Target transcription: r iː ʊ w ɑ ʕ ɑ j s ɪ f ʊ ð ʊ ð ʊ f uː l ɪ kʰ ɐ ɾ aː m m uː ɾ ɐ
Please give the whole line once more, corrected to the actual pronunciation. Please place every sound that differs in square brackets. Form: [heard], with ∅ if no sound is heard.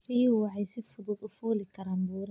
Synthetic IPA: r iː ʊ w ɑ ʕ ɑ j s ɪ f ʊ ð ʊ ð ʊ f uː l ɪ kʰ ɐ ɾ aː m [b] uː ɾ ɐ